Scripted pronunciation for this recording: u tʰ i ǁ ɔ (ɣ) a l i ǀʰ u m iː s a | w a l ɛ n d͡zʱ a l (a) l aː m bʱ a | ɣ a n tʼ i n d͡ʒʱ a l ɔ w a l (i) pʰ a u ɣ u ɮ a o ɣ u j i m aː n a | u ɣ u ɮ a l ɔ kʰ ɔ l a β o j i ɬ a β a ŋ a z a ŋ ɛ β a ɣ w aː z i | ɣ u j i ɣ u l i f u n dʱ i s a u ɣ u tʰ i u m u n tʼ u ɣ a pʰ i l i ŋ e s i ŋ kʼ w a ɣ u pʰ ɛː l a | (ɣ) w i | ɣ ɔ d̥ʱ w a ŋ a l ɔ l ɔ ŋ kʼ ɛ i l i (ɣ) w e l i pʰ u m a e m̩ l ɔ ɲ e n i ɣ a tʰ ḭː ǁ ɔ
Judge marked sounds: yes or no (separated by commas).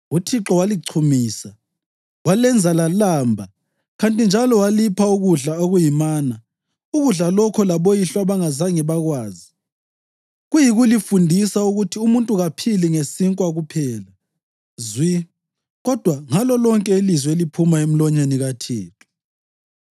no, yes, yes, no, no